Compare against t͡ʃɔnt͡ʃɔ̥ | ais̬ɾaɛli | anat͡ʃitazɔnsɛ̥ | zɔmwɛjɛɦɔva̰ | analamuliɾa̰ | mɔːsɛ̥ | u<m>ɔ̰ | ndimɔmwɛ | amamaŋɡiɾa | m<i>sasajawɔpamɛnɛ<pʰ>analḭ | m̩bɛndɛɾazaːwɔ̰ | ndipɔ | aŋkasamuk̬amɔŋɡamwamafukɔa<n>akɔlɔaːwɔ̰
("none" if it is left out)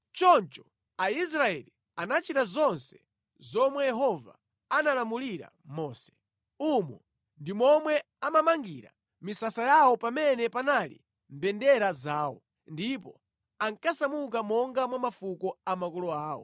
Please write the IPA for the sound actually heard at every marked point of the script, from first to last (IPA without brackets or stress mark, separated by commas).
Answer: m, i, p, m